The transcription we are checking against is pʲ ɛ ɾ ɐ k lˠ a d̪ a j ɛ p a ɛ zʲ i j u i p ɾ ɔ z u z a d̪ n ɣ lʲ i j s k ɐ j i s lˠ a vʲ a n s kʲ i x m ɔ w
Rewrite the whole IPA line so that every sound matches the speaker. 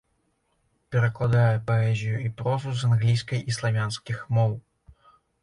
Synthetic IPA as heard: pʲ ɛ ɾ ɐ k lˠ a d̪ a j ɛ p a ɛ zʲ i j u i p ɾ ɔ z u z a n ɣ lʲ i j s k ɐ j i s lˠ a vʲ a n s kʲ i x m ɔ w